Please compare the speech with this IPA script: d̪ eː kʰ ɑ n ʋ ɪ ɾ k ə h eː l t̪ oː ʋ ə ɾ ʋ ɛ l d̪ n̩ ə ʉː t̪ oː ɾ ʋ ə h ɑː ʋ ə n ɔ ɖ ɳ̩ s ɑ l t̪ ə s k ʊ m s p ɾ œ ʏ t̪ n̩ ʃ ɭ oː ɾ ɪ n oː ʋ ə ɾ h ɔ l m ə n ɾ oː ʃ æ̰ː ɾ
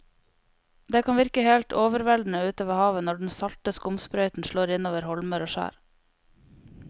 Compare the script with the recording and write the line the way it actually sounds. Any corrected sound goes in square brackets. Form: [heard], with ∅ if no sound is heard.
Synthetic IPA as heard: d̪ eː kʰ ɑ n ʋ ɪ ɾ k ə h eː l t̪ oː ʋ ə ɾ ʋ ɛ l d̪ n̩ ə ʉː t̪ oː [∅] ʋ ə h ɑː ʋ ə n ɔ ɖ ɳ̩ s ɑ l t̪ ə s k ʊ m s p ɾ œ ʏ t̪ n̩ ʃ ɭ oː ɾ ɪ n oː ʋ ə ɾ h ɔ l m ə [∅] ɾ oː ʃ æ̰ː ɾ